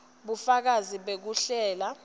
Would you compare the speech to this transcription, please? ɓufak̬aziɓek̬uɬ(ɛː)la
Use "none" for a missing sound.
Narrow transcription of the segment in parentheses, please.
ɛː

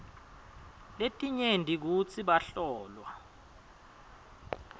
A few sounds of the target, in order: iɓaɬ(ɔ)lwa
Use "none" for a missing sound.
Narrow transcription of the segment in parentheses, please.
ɔː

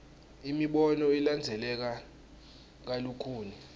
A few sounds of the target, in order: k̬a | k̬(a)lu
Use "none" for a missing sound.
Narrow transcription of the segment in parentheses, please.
a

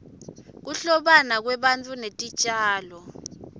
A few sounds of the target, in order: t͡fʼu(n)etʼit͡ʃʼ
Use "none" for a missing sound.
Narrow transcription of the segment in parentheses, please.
n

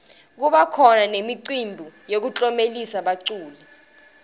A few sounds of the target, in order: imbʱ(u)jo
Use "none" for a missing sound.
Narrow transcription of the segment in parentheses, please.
u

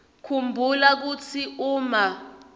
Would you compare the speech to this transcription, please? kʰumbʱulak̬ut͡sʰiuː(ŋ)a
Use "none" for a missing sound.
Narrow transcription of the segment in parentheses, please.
m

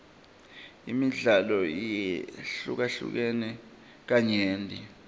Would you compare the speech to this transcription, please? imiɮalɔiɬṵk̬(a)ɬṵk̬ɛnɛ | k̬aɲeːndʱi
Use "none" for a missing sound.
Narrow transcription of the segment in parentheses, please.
a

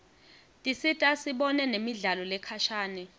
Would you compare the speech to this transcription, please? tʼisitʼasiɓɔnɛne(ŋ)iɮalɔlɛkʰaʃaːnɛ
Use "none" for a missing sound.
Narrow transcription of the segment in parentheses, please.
m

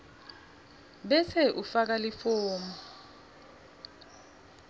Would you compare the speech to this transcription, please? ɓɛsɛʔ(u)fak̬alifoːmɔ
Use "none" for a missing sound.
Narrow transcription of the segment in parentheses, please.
u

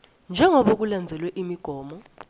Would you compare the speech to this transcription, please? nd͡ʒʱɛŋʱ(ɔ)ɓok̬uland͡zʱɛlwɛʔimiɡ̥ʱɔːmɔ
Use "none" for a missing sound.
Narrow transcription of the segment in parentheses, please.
ɔ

